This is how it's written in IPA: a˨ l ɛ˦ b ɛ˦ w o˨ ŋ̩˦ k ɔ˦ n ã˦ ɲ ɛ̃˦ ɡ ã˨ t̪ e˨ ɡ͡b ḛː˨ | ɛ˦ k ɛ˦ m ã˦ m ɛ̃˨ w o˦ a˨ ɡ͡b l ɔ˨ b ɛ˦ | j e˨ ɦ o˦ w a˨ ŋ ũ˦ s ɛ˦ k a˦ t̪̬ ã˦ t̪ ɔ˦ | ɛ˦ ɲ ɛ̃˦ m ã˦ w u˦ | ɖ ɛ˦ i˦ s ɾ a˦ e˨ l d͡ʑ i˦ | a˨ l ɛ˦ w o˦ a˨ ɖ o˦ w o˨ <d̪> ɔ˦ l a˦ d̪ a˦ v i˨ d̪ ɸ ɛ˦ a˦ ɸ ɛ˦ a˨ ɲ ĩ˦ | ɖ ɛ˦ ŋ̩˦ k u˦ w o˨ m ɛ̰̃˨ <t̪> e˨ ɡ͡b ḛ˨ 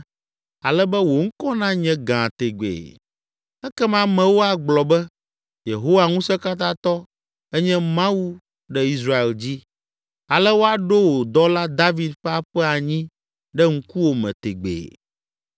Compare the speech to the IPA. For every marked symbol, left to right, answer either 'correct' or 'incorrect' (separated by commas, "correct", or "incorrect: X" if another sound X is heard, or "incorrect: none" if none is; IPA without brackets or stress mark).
correct, correct